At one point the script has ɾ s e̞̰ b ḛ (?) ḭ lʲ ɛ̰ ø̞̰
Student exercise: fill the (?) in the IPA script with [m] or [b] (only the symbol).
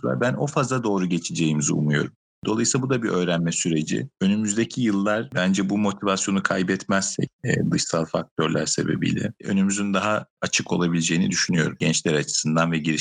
b